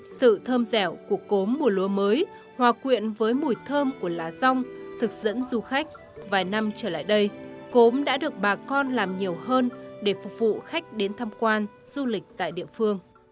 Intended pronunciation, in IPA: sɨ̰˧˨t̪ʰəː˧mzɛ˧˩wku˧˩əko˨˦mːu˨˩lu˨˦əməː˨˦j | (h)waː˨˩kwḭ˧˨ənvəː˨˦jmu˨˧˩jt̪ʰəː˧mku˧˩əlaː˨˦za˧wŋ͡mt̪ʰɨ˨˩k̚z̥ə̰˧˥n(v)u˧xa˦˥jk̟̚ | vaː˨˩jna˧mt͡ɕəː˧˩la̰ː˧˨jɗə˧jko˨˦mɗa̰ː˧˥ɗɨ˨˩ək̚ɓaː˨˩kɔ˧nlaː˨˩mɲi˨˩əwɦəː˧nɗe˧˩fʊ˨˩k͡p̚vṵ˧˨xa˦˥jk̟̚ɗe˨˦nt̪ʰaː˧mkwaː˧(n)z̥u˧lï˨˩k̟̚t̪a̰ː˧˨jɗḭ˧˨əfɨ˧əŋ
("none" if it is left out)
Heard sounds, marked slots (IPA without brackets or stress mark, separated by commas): h, z, n